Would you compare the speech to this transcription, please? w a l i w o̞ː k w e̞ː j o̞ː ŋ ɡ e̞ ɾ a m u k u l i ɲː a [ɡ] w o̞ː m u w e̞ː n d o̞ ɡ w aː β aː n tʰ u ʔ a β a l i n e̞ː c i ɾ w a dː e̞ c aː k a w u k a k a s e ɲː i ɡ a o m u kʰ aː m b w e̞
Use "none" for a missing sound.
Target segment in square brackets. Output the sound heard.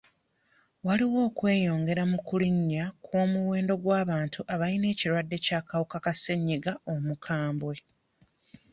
k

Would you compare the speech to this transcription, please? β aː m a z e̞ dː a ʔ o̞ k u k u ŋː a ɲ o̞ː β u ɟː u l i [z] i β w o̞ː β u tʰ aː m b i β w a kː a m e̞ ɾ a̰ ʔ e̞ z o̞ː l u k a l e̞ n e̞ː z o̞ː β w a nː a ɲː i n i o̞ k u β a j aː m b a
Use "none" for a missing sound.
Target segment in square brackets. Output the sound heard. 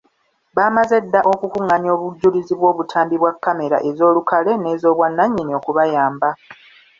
z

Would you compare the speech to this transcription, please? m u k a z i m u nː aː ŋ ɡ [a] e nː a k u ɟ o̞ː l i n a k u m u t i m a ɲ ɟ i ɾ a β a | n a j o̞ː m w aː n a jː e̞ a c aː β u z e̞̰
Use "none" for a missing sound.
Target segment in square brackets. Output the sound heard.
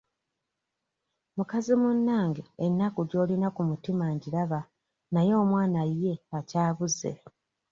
e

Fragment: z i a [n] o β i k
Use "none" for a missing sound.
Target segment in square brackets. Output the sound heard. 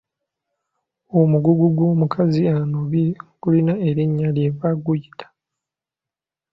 n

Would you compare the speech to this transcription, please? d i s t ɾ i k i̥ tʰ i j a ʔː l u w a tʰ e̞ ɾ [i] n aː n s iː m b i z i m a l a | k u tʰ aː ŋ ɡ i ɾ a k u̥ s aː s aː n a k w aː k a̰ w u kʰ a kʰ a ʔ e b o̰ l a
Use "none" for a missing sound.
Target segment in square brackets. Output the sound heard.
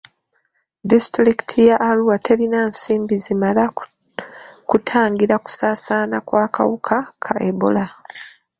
i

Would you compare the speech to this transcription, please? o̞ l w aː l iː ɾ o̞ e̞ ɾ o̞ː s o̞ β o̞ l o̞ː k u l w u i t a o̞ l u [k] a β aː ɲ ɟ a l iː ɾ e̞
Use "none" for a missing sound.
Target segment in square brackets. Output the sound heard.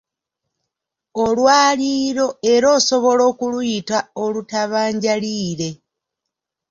t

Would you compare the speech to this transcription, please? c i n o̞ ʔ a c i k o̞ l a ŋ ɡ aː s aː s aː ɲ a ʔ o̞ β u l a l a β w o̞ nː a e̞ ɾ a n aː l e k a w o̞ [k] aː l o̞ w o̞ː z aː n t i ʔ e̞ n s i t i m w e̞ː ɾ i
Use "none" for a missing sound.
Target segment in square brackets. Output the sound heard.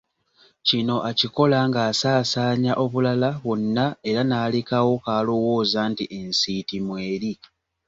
k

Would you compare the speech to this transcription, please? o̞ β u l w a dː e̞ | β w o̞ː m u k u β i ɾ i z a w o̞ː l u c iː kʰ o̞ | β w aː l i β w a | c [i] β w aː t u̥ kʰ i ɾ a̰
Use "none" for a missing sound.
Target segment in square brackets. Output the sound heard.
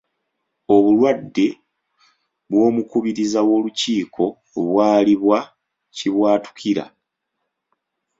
i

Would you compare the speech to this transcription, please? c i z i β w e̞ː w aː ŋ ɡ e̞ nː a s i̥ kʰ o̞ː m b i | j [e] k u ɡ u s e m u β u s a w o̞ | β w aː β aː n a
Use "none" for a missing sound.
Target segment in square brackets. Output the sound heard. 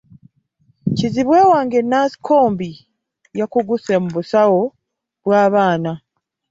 a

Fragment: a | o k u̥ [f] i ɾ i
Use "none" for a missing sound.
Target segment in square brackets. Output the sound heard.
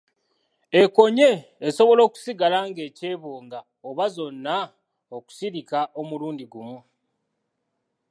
s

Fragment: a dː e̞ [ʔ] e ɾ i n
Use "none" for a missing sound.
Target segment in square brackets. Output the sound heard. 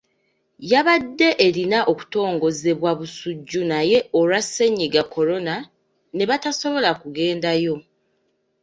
ʔ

